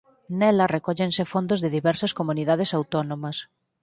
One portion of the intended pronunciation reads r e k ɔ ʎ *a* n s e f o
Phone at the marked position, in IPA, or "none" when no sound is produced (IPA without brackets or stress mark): e